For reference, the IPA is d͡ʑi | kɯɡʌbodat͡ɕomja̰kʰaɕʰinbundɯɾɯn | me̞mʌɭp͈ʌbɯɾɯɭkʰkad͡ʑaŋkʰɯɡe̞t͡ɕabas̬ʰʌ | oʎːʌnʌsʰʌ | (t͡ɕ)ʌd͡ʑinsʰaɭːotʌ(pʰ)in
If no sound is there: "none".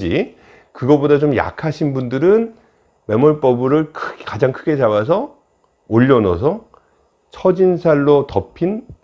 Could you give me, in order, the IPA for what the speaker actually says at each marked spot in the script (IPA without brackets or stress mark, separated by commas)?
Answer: t͡ɕʰ, pʰ